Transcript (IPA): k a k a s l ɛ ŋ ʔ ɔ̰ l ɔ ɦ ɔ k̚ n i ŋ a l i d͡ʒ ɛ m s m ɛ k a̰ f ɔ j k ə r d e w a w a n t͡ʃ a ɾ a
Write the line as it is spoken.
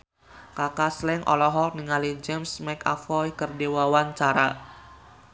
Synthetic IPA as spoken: k a k a s l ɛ ŋ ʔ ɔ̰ l ɔ ɦ ɔ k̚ n i ŋ a l i d͡ʒ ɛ m s m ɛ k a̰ f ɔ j k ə r d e w a w a n t͡ʃ a ɾ a